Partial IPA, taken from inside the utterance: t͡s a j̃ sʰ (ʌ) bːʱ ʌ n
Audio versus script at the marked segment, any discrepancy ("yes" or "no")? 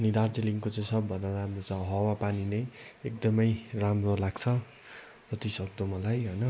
no